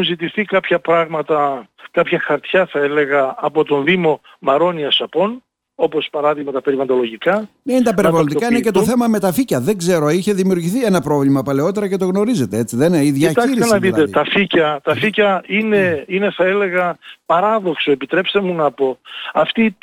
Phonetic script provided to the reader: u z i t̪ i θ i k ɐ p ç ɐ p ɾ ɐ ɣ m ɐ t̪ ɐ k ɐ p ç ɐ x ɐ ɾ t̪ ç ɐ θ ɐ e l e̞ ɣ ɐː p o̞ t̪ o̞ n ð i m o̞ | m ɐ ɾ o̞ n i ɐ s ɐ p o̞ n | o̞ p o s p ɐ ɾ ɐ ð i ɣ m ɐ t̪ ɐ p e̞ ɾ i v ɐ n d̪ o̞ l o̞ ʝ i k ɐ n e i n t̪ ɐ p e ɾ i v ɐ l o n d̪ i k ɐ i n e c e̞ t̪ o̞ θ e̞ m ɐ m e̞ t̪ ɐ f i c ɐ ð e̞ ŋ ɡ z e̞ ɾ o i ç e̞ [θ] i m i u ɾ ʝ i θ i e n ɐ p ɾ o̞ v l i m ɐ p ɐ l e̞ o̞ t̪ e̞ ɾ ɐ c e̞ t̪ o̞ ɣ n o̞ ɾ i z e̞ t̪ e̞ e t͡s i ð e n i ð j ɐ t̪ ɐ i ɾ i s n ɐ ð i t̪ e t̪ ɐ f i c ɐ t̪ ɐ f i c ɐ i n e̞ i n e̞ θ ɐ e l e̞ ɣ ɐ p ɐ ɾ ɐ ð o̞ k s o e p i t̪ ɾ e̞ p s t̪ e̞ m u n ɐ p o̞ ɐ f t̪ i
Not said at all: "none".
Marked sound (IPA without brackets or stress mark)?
ð